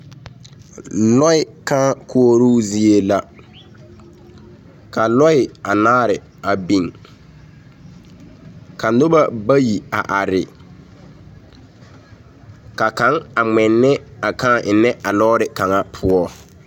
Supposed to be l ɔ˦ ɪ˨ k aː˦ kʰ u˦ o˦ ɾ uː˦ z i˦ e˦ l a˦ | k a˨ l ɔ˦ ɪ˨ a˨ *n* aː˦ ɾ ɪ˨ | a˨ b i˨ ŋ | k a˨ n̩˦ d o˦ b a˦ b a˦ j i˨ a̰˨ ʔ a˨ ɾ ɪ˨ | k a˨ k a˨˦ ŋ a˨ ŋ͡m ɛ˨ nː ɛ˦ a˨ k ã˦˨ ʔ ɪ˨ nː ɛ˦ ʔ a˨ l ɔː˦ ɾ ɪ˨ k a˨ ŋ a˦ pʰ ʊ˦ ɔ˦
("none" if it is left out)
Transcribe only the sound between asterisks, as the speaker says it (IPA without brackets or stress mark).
n